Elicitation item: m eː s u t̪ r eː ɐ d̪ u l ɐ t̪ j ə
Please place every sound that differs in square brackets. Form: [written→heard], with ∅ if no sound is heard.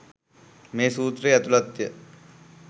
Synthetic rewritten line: m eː s [u→uː] t̪ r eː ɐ [d̪→t̪] u l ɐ t̪ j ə